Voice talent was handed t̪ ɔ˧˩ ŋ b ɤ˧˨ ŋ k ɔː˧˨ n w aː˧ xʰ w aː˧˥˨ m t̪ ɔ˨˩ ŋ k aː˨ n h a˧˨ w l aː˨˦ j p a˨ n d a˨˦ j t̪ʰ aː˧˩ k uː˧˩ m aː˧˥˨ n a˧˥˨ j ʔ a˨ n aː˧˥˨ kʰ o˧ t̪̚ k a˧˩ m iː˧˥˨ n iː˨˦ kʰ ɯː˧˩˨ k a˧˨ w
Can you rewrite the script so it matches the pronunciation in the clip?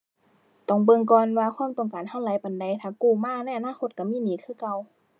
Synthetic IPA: t̪ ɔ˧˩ ŋ b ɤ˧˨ ŋ k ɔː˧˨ n w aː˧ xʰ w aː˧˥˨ m t̪ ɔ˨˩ ŋ k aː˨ n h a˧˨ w l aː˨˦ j p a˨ n d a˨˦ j t̪ʰ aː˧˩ k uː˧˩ m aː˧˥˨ n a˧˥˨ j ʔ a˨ n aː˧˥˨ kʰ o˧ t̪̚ k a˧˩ m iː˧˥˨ n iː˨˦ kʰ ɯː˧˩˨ k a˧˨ w

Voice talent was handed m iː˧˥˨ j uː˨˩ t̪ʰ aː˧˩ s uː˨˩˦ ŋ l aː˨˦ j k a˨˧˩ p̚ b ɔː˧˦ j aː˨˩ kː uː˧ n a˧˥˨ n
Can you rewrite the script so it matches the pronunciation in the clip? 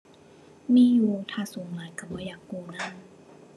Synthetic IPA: m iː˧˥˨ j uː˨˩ t̪ʰ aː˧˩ s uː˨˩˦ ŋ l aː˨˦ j k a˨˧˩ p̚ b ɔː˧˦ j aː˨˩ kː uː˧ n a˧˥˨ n

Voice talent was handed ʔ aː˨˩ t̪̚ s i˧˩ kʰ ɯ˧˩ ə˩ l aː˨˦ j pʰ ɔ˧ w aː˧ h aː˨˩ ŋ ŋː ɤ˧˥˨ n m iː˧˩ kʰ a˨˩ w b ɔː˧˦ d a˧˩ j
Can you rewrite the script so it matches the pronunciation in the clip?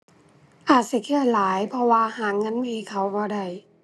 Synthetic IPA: ʔ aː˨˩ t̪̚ s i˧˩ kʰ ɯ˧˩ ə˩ l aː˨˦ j pʰ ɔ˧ w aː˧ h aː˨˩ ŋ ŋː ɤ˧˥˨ n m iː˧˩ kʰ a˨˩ w b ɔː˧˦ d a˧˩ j

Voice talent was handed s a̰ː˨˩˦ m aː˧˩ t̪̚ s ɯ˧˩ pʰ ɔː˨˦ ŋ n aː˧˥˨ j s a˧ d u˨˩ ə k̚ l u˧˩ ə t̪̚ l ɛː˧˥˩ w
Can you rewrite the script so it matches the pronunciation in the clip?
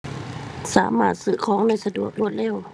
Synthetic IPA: s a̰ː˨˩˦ m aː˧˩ t̪̚ s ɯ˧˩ kʰ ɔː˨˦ ŋ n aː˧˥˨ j s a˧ d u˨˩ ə k̚ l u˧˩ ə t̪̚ l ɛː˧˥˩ w

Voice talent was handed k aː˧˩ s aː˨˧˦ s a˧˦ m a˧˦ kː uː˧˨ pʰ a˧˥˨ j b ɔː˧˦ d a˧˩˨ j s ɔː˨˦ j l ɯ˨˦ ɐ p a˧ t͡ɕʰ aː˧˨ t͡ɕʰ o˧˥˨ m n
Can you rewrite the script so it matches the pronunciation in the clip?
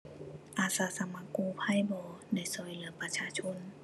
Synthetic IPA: ʔ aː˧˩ s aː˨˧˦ s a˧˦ m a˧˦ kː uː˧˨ pʰ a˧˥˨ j b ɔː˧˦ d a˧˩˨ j s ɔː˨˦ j l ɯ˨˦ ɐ p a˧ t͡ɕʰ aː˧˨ t͡ɕʰ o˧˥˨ n

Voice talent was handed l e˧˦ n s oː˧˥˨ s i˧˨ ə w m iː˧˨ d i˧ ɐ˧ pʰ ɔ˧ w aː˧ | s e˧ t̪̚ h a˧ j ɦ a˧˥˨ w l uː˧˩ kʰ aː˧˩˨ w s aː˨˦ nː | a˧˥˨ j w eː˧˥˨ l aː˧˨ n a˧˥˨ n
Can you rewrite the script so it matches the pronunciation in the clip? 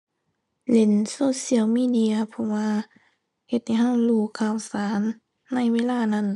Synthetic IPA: l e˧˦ n s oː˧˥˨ s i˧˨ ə w m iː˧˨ d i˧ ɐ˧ pʰ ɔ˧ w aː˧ | h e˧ t̪̚ h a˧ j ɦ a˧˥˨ w l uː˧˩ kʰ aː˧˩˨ w s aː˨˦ nː | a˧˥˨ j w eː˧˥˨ l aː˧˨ n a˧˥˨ n

